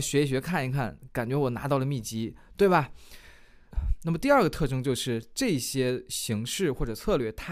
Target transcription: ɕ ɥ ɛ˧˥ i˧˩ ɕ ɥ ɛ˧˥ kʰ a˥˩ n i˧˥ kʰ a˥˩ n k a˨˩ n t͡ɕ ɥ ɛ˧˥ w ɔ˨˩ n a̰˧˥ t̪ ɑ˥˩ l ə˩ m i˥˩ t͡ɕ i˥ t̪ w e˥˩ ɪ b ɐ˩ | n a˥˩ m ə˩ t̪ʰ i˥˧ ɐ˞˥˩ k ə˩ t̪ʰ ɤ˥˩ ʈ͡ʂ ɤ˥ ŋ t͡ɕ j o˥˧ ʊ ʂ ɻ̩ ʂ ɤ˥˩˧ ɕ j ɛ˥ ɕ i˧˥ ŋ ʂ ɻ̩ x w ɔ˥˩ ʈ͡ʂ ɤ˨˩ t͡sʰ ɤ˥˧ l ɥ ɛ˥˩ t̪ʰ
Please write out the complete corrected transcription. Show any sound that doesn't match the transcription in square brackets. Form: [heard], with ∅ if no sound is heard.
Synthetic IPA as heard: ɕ ɥ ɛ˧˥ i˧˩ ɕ ɥ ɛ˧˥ kʰ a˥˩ n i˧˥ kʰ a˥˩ n k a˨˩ n t͡ɕ ɥ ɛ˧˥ w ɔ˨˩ n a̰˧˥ t̪ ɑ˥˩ l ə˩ m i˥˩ t͡ɕ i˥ t̪ w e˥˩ ɪ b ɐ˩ | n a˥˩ m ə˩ [t̪] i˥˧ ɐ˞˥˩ [ɡ] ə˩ t̪ʰ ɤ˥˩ ʈ͡ʂ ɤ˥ ŋ t͡ɕ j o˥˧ ʊ ʂ ɻ̩ [ʈ͡ʂ] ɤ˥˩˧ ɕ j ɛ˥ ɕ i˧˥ ŋ ʂ ɻ̩ x w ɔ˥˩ ʈ͡ʂ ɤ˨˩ t͡sʰ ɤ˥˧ l ɥ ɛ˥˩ t̪ʰ